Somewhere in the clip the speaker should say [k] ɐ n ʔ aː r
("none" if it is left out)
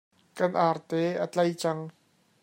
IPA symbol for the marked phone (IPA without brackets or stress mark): k